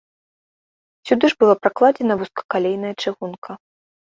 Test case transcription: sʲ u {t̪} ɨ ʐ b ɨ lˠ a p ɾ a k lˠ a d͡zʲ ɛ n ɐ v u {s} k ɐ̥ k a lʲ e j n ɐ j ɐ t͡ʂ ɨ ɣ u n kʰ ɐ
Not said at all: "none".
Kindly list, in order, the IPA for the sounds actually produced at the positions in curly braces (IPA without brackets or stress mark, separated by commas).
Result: d̪, s